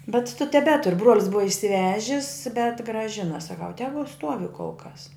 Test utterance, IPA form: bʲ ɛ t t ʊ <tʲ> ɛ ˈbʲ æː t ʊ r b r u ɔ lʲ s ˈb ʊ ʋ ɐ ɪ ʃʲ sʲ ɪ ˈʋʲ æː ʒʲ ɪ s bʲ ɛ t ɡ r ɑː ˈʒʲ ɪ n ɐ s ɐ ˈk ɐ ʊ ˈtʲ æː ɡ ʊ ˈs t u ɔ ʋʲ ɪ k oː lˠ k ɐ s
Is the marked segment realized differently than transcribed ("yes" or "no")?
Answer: no